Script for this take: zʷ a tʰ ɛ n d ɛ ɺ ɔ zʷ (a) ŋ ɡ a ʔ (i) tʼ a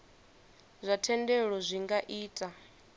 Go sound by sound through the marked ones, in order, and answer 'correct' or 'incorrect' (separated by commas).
incorrect, incorrect